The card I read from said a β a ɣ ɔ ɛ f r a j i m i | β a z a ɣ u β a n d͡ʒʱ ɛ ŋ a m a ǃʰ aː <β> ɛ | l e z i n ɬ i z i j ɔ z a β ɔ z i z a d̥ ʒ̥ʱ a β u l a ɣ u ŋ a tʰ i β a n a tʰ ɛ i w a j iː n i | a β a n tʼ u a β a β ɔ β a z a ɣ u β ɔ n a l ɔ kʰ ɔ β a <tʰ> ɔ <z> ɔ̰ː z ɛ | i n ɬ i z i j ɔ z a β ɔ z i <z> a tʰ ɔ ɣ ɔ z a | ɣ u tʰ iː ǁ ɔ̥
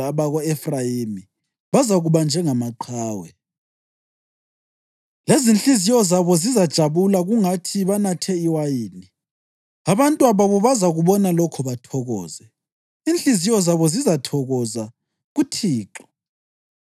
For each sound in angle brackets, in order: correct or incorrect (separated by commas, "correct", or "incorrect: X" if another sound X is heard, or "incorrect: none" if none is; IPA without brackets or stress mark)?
incorrect: w, correct, incorrect: ɣ, correct